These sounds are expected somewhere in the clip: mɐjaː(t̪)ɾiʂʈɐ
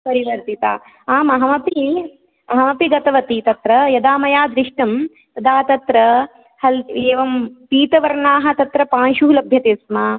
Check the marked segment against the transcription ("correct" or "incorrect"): incorrect